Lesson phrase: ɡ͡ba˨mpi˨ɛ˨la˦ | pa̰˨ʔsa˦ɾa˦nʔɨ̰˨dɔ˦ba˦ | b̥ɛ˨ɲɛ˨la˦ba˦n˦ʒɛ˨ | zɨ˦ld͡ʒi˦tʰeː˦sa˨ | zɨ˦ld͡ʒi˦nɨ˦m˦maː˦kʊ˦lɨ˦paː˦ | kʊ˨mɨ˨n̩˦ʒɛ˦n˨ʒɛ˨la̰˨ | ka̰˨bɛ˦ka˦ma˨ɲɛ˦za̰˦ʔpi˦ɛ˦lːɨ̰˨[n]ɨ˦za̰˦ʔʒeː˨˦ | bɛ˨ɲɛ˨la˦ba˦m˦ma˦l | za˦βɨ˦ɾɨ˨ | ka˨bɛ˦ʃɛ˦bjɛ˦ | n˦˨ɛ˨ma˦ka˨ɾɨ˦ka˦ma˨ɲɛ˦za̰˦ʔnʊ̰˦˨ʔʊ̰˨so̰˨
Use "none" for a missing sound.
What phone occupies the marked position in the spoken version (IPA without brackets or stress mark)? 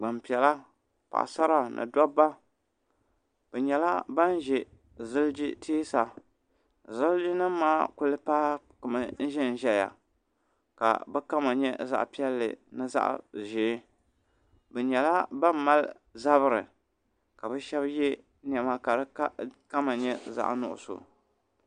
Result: n